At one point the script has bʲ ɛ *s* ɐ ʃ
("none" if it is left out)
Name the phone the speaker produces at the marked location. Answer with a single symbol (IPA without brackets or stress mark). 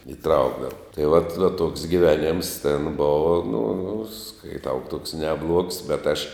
t